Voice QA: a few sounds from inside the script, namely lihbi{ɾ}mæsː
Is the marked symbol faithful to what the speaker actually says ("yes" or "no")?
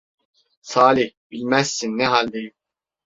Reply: no